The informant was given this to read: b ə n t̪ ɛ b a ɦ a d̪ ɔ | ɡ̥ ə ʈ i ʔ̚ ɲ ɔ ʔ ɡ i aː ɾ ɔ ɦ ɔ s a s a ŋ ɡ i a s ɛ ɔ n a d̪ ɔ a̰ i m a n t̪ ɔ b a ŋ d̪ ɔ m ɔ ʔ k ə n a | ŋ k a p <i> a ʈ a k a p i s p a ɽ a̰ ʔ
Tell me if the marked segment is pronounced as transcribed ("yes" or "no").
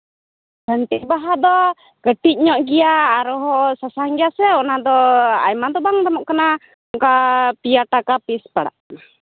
yes